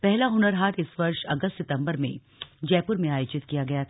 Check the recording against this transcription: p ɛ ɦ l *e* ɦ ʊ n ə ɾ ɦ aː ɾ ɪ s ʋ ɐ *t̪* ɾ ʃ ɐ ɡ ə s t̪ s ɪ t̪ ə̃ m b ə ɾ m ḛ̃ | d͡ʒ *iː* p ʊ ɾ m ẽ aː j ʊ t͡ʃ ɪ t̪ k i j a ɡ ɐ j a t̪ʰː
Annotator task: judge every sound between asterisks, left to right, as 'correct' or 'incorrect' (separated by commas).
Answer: incorrect, incorrect, incorrect